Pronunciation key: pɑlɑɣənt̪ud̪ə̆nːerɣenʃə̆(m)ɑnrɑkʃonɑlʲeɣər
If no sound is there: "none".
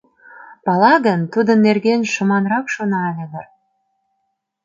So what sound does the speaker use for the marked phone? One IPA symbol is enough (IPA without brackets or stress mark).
m